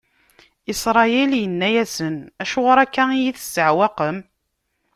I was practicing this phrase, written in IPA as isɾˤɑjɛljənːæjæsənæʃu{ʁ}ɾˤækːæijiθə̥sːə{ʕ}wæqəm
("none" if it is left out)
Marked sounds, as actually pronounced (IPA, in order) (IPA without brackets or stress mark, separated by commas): ʁ, ʕ